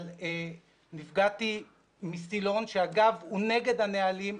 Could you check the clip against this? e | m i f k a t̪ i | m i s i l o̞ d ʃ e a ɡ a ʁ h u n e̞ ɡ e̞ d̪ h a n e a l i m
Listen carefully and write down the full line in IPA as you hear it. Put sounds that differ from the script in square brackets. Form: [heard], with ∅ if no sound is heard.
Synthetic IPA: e | [n] i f [ɡ] a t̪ i | m i s i l o̞ [n] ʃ e a ɡ a [v] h u n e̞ ɡ e̞ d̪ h a n e a l i m